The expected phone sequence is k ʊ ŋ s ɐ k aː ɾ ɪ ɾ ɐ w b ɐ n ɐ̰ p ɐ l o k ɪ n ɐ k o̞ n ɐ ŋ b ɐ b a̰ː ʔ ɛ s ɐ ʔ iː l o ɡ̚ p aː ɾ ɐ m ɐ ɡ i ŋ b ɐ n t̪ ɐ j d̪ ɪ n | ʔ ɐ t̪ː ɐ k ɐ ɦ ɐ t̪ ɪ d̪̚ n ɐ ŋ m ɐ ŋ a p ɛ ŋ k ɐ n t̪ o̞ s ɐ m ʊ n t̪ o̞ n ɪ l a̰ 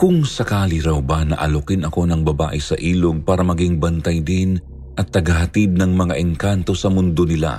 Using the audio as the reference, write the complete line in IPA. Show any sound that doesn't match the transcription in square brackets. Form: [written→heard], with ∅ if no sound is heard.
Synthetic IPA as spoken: k ʊ ŋ s ɐ k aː [ɾ→l] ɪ ɾ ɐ w b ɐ n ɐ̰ [p→ʔ] ɐ l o k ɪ n ɐ k o̞ n ɐ ŋ b ɐ b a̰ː ʔ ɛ s ɐ ʔ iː l o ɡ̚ p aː ɾ ɐ m ɐ ɡ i ŋ b ɐ n t̪ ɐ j d̪ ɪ n | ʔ ɐ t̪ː ɐ [k→ɡ] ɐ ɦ ɐ t̪ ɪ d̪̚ n ɐ ŋ m ɐ ŋ a [p→ʔ] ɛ ŋ k [ɐ→a] n t̪ o̞ s ɐ m ʊ n [t̪→d̪] o̞ n ɪ l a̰